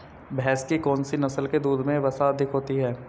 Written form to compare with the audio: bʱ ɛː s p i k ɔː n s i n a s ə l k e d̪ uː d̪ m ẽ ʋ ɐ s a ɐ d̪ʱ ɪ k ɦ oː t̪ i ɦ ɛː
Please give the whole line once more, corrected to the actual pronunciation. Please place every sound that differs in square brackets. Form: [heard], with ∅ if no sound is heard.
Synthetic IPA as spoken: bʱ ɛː s [k] i k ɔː n s i n [ɐ] s ə l k e d̪ uː d̪ m ẽ ʋ ɐ s a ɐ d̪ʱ ɪ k ɦ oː t̪ i ɦ ɛː